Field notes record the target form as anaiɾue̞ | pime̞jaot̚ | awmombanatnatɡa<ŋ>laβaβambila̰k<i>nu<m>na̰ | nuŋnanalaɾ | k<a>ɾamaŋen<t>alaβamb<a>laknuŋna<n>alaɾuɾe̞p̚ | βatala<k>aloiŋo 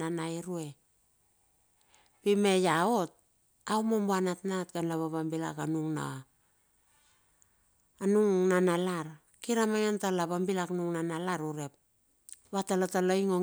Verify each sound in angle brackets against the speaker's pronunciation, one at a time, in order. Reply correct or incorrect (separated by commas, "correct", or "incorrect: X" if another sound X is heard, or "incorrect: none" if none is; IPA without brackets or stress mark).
incorrect: n, incorrect: a, incorrect: ŋ, incorrect: i, correct, incorrect: i, correct, incorrect: t